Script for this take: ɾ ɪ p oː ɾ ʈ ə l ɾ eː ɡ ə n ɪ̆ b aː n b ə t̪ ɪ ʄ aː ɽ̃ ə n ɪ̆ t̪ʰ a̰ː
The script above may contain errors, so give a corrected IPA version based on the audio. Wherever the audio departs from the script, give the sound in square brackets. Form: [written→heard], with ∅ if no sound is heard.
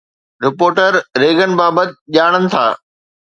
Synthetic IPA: ɾ ɪ p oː ɾ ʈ ə [l→ɾ] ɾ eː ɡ ə n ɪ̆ b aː [n→∅] b ə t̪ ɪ ʄ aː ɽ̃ ə n ɪ̆ t̪ʰ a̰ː